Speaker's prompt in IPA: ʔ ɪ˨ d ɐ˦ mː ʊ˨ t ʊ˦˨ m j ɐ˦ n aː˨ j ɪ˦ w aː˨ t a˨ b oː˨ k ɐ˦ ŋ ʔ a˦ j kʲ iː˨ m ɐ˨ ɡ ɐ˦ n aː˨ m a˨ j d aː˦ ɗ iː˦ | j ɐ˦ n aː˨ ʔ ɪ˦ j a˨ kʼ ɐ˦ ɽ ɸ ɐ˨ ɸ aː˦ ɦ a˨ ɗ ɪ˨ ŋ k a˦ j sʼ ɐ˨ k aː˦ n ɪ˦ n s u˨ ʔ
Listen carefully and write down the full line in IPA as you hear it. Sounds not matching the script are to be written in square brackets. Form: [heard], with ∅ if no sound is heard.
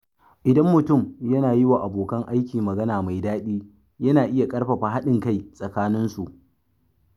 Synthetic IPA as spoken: ʔ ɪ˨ d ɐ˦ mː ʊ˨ t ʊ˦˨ m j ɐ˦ n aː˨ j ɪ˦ w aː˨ [ʔ] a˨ b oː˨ k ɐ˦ ŋ ʔ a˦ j kʲ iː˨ m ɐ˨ ɡ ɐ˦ n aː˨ m a˨ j d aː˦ ɗ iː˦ | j ɐ˦ n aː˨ ʔ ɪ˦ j a˨ kʼ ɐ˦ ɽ ɸ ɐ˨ ɸ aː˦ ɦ [a˦] ɗ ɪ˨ ŋ k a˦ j sʼ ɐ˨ k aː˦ n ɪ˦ n s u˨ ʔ

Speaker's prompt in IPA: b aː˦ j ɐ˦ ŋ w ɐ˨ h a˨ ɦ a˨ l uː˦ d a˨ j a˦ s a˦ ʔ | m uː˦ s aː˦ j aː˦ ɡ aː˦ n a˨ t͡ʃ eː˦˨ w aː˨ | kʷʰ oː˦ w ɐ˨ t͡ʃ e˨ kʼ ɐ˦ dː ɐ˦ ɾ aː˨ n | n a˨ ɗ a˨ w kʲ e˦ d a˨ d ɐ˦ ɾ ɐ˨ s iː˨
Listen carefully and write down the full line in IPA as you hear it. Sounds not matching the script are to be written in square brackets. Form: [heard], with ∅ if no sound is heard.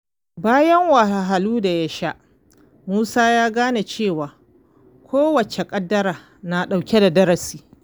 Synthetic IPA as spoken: b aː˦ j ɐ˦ ŋ w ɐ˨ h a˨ ɦ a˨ l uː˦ d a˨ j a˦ [ʃ] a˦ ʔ | m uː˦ s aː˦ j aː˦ ɡ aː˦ n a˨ t͡ʃ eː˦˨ w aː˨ | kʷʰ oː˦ w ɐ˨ t͡ʃ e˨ kʼ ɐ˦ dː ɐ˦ ɾ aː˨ [∅] | n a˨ ɗ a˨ w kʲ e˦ d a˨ d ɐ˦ ɾ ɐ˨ s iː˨

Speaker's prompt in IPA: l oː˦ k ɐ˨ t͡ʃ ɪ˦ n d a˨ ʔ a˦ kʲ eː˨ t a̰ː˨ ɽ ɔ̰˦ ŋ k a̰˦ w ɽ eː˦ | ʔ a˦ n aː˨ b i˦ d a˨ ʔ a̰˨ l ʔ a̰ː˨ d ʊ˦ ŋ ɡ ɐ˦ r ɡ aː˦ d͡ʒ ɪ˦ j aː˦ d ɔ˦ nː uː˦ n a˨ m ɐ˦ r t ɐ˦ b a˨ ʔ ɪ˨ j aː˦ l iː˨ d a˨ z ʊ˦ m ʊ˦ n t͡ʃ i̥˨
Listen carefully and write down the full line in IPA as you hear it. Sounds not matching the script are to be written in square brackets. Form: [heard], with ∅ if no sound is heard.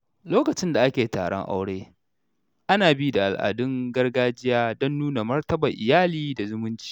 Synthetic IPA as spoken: l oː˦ k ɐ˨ t͡ʃ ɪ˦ n d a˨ ʔ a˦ kʲ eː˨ t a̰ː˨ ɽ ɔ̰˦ ŋ [ʔ] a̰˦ w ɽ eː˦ | ʔ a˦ n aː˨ b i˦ d a˨ ʔ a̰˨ l ʔ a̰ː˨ d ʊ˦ ŋ ɡ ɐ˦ r ɡ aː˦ d͡ʒ ɪ˦ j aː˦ d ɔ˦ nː uː˦ n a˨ m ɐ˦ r t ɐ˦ b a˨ ʔ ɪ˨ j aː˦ l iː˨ d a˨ z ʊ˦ m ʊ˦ n t͡ʃ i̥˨

